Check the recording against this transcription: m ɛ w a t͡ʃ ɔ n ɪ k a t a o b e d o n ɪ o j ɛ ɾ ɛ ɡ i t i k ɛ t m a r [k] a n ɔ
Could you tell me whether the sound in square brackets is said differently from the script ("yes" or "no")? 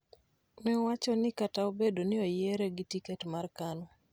no